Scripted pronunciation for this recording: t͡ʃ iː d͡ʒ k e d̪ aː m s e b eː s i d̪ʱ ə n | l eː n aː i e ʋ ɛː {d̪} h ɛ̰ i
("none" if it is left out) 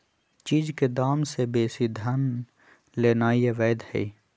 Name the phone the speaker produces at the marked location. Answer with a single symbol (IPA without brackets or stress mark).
d̪